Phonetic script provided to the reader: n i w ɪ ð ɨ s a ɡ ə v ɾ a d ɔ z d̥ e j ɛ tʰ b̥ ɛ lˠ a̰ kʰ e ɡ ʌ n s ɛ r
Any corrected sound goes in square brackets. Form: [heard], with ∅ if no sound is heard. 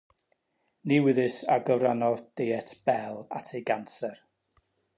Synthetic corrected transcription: n i w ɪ ð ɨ s a ɡ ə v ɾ a [n] ɔ [ð] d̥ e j ɛ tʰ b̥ ɛ lˠ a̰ [tʰ] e ɡ [a] n s ɛ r

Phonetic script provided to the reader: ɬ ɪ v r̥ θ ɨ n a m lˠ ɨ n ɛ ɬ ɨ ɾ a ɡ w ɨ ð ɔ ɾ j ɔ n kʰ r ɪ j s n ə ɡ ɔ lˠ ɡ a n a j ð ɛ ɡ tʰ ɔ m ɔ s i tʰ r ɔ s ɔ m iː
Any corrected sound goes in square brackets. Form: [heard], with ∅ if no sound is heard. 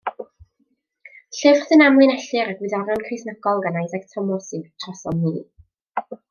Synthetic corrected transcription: ɬ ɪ v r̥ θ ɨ n a m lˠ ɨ n ɛ ɬ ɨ ɾ a ɡ w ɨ ð ɔ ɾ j ɔ n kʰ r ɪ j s n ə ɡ ɔ lˠ ɡ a n a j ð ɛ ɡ tʰ ɔ m ɔ s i tʰ r ɔ s ɔ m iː

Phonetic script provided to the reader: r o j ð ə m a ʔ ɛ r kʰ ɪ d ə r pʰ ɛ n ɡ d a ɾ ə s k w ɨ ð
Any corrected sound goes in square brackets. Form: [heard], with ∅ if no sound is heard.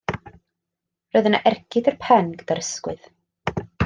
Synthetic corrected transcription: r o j ð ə [n] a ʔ ɛ r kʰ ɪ d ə r pʰ ɛ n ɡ d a ɾ ə s k w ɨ ð

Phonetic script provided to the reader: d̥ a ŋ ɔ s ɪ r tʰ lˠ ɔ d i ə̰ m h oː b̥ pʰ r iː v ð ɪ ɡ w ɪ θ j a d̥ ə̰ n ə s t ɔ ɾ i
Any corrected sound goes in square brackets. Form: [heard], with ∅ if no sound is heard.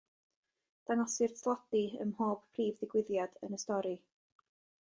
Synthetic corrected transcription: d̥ a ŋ ɔ s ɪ r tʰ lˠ ɔ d i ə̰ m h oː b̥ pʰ r iː v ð ɪ ɡ w ɪ [ð] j a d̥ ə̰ n ə s t ɔ ɾ i

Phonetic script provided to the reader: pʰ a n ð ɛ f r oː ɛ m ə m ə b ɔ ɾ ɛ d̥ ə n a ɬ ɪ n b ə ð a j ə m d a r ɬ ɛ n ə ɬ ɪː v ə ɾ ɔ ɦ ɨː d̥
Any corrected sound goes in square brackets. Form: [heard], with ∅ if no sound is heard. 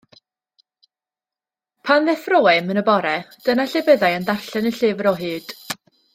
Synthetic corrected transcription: pʰ a n ð ɛ f r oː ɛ m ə [n] ə b ɔ ɾ ɛ d̥ ə n a ɬ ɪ [∅] b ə ð a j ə [n] d a r ɬ ɛ n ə ɬ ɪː v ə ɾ ɔ ɦ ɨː d̥

